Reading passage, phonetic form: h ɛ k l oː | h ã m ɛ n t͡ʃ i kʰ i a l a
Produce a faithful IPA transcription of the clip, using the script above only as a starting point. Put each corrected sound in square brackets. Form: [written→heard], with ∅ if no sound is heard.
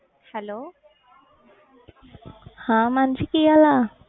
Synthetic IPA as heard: h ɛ [k→∅] l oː | h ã m [ɛ→a] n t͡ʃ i [kʰ→k] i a l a